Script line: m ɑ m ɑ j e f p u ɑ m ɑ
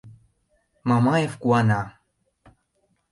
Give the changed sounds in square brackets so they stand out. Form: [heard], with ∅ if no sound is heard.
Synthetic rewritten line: m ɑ m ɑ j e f [k] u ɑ [n] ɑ